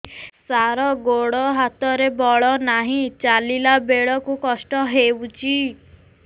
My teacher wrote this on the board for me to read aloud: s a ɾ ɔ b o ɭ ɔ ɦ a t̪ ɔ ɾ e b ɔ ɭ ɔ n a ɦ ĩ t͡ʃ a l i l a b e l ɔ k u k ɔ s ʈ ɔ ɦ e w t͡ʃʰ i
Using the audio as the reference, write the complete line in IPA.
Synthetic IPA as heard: s a ɾ ɔ ɡ o ɽ ɔ ɦ a t̪ ɔ ɾ e b ɔ ɭ ɔ n a ɦ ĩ t͡ʃ a l i l a b e ɭ ɔ k u k ɔ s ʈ ɔ ɦ e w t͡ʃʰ i